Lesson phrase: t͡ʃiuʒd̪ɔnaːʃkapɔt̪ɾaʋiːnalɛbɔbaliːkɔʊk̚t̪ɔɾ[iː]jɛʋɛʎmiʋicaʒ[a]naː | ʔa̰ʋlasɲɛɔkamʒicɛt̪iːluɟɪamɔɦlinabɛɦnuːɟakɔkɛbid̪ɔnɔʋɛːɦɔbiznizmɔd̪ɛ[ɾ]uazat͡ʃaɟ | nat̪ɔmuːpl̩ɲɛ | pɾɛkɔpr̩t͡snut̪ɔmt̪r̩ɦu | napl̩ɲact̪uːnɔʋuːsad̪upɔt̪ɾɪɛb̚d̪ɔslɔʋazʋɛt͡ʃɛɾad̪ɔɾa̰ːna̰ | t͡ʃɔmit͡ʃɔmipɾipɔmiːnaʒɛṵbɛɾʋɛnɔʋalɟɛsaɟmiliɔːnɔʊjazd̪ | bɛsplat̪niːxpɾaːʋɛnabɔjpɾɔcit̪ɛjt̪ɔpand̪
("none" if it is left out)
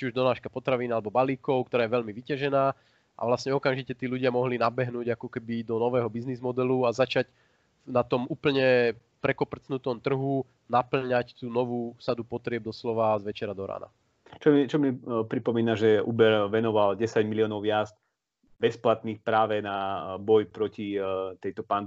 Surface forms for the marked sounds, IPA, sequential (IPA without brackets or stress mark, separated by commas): aː, ɛ, l